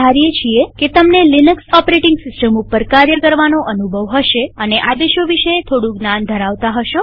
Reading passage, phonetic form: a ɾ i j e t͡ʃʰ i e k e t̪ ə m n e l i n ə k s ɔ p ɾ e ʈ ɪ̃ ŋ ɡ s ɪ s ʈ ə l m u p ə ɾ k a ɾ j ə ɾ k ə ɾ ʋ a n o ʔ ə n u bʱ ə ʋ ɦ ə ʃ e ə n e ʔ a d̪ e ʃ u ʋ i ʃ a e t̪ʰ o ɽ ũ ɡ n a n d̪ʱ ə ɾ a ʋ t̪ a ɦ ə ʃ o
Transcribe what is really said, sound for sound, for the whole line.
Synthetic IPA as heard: a ɾ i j e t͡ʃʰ i e k e t̪ ə m n e l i n ə k s ɔ p ɾ e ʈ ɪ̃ ŋ ɡ s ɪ s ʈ ə m u p ə ɾ k a ɾ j ə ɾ k ə ɾ ʋ a n o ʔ ə n u bʱ ə ʋ ɦ ə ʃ e ə n e ʔ a d̪ e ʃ o ʋ i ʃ ə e t̪ʰ o ɽ ũ ɡ n a n d̪ʱ ə ɾ a ʋ t̪ a ɦ ə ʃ o